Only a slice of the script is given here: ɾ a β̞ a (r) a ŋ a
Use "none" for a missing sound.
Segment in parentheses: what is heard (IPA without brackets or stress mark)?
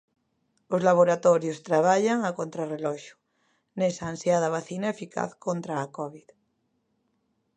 ʎ